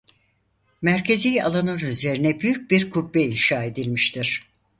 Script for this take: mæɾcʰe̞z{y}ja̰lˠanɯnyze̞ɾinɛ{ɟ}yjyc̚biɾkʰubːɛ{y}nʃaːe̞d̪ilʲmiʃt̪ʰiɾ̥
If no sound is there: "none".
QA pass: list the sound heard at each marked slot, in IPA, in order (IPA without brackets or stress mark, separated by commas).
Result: i, b, i